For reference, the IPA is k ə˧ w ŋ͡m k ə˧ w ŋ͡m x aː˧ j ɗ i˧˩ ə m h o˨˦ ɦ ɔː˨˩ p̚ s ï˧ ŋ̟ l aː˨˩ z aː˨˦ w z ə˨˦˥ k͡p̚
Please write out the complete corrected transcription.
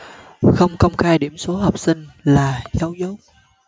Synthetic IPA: x ə˧ w ŋ͡m k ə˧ w ŋ͡m x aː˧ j ɗ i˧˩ ə m s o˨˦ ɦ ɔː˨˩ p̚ s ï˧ ŋ̟ l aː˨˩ z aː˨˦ w z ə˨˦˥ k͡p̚